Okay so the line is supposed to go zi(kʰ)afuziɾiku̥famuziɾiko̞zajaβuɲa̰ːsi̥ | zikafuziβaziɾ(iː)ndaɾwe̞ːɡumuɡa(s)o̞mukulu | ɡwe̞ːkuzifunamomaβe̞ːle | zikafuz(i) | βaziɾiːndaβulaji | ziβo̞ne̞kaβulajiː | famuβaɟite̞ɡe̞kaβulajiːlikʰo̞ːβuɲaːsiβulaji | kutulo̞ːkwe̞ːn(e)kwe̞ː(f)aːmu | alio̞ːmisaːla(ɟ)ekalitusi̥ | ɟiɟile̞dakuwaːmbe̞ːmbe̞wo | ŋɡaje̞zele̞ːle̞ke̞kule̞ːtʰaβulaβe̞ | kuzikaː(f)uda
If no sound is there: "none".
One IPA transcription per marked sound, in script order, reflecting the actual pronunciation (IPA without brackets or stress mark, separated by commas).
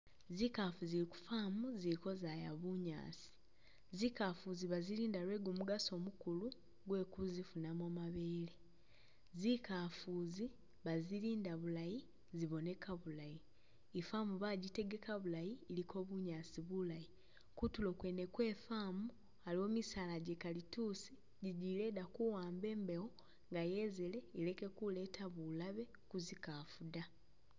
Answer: k, iː, s, i, e, f, ɟ, f